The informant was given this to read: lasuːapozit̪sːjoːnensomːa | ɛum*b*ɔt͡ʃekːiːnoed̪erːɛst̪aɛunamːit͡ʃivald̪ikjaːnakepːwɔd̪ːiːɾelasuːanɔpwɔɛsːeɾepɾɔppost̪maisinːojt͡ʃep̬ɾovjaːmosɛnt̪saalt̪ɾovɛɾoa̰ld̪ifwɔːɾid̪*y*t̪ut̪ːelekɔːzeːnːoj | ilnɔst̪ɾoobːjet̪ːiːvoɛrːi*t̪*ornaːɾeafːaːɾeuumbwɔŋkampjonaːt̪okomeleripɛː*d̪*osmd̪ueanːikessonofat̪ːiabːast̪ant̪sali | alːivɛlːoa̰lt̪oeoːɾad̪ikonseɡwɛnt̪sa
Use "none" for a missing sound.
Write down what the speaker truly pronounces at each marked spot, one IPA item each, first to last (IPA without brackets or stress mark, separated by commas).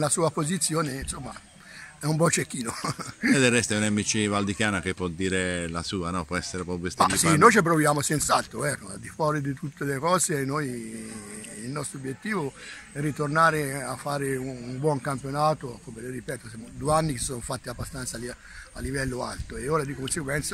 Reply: b, i, t̪, t̪